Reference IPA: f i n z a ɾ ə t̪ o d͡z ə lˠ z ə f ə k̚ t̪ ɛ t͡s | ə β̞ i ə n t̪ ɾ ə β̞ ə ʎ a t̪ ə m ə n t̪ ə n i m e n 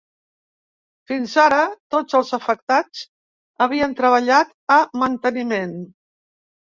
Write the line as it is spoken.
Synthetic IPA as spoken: f i n z a ɾ ə t̪ o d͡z ə lˠ z ə f ə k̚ t̪ a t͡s | ə β̞ i ə n t̪ ɾ ə β̞ ə ʎ a t̪ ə m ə n t̪ ə n i m e n